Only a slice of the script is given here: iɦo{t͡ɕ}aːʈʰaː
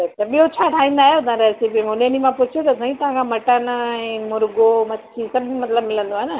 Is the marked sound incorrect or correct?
incorrect